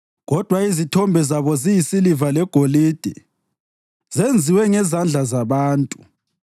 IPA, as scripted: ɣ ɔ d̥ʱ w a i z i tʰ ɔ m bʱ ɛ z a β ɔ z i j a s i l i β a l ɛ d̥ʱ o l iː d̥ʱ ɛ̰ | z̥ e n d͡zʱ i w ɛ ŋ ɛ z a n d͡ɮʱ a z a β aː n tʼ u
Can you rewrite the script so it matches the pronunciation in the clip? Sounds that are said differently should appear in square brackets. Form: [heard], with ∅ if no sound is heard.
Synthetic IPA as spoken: ɣ ɔ d̥ʱ w a i z i tʰ ɔ m bʱ ɛ z a β ɔ z i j [i] s i l i [v] a l ɛ [ɡ̥ʱ] o l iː d̥ʱ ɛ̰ | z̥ e n d͡zʱ i w ɛ ŋ ɛ z a n d͡ɮʱ a z a β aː n tʼ u